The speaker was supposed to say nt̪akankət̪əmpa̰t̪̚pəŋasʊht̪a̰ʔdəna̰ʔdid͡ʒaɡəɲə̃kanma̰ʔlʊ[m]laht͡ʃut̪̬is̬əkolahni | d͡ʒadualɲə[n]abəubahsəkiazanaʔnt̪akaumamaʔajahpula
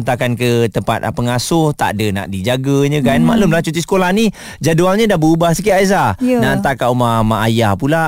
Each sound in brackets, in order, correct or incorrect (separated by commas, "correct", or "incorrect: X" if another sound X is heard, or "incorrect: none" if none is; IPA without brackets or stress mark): correct, incorrect: d